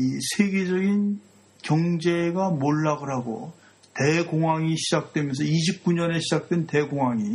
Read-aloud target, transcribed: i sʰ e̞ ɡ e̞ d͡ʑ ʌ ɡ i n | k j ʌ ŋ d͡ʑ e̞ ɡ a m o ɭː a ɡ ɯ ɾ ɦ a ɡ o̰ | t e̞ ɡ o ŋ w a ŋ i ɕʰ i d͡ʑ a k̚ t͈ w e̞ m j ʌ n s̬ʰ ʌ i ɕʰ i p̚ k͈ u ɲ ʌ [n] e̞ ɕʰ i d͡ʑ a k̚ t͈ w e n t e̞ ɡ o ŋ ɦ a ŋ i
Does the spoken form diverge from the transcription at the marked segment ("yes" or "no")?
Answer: no